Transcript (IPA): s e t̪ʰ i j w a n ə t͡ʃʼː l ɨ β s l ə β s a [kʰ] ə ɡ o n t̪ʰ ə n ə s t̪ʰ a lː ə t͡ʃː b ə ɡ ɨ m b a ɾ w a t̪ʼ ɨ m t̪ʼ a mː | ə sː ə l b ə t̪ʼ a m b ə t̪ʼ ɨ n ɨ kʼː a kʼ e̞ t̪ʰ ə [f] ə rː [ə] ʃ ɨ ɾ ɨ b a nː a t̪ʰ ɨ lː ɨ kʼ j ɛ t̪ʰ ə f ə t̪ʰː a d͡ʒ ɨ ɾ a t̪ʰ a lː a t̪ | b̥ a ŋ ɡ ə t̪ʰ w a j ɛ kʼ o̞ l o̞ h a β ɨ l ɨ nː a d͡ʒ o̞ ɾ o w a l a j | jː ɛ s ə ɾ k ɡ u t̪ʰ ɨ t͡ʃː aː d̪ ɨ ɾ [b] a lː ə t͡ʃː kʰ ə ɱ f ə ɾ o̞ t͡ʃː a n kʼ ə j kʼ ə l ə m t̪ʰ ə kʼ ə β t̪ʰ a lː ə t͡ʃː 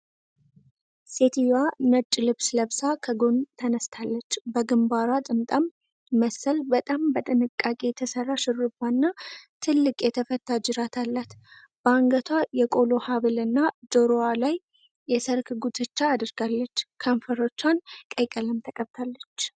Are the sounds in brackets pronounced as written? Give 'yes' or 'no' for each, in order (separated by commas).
yes, no, no, no